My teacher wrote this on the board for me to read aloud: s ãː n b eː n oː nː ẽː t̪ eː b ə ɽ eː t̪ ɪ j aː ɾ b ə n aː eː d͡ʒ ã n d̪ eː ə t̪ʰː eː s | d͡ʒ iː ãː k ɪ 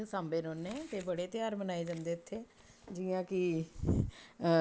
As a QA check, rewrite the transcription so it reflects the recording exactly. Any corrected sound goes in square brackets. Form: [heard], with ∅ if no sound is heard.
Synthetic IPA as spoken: s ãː [m] b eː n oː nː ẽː t̪ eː b ə ɽ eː t̪ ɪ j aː ɾ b ə n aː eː d͡ʒ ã n d̪ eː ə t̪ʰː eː [∅] | d͡ʒ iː ãː k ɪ